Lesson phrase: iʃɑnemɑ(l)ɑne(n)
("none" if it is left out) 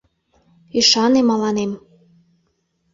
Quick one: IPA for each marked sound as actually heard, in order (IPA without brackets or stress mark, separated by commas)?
l, m